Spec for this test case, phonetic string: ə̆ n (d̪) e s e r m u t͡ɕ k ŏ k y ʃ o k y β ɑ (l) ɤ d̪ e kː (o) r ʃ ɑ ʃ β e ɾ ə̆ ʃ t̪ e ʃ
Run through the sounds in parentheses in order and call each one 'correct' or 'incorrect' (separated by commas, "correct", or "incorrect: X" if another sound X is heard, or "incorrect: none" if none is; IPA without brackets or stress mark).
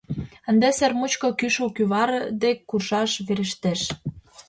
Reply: correct, incorrect: ɾ, incorrect: u